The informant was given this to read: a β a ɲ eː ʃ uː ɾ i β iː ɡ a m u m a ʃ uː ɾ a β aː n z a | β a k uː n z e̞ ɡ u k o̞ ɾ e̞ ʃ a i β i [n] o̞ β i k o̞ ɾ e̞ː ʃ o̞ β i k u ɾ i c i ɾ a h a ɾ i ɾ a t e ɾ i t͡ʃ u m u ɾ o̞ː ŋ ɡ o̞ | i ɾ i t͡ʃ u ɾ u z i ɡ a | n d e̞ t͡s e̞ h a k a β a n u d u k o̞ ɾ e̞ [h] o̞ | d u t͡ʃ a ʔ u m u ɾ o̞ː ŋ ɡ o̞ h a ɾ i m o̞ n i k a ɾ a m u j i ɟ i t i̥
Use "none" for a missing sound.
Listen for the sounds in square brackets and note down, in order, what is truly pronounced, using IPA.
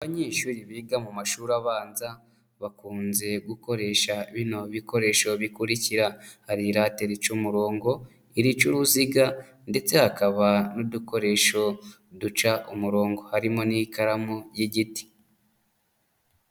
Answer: n, ʃ

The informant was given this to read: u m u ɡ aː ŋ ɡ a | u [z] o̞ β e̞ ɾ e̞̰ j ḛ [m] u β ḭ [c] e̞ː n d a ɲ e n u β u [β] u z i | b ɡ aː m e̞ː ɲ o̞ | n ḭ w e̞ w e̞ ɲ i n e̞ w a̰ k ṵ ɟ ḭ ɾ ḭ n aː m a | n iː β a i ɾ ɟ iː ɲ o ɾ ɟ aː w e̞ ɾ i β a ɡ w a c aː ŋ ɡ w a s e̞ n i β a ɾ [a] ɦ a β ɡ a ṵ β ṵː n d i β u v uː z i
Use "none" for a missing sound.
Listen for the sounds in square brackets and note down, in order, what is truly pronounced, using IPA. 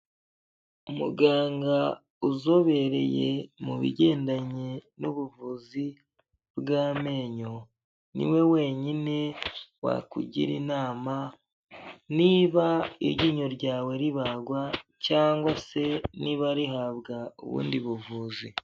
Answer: z, m, ɟ, v, i

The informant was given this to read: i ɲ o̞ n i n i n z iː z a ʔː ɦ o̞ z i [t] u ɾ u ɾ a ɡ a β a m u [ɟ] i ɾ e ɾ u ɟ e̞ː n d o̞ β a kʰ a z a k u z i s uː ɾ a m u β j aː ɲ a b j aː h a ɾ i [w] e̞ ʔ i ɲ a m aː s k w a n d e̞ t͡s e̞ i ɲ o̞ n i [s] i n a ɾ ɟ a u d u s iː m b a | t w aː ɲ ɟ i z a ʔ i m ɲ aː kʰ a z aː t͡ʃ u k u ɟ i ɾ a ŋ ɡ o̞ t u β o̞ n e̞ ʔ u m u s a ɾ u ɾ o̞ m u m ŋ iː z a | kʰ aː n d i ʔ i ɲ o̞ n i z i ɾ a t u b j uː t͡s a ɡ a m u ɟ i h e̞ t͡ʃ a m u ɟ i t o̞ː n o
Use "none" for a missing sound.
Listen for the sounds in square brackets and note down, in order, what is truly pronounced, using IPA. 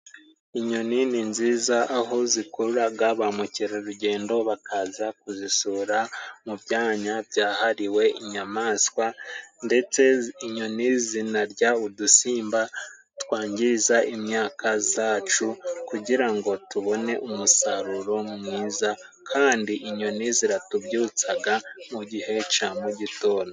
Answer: k, c, w, z

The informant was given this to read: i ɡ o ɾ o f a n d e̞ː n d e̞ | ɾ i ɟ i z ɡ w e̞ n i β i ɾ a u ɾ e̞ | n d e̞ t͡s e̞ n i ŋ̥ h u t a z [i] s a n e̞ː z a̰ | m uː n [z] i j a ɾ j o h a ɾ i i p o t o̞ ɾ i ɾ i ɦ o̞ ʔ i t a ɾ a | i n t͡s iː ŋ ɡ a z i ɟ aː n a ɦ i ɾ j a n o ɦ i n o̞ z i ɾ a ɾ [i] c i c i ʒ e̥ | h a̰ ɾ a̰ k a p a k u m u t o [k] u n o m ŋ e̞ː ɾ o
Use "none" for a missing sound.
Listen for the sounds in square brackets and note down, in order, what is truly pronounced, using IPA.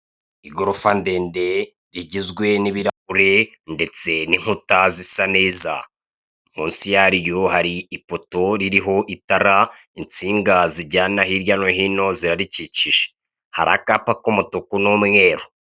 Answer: i, s, i, k

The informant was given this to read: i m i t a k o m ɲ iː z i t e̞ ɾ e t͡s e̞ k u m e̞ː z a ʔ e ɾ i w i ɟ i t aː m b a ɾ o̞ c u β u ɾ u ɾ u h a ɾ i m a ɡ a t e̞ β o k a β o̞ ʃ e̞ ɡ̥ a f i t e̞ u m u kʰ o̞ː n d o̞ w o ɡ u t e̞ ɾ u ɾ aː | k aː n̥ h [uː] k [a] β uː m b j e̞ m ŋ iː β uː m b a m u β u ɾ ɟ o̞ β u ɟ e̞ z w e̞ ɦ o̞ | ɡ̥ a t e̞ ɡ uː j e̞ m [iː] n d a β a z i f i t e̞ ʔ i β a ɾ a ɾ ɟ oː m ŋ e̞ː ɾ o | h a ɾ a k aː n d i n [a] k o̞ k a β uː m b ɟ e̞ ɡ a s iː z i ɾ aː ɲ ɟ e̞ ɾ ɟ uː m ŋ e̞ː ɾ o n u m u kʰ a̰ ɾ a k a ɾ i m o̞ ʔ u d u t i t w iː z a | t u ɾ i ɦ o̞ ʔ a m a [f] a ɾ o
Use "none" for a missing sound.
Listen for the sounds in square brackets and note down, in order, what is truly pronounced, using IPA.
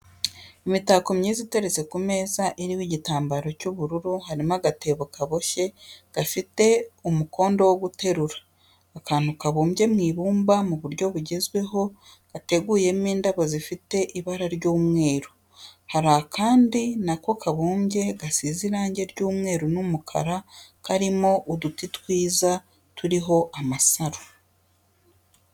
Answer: u, a, iː, a, s

